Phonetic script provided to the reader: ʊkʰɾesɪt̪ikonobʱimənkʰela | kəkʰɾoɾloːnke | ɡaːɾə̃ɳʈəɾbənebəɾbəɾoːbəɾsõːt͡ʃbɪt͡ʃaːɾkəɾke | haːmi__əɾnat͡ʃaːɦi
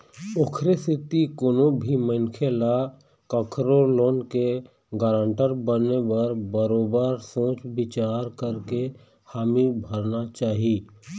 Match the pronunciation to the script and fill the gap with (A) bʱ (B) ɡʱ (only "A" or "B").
A